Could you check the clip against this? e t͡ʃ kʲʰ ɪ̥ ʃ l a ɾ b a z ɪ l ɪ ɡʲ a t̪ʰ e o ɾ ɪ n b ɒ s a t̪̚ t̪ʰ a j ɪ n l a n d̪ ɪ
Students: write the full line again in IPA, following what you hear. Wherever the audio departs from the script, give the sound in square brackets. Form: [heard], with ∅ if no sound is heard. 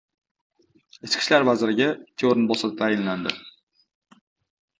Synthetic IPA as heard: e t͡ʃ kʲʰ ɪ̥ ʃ l a ɾ [v] a z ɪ [ɾ] ɪ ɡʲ a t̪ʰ e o ɾ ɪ n b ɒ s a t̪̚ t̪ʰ a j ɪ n l a n d̪ ɪ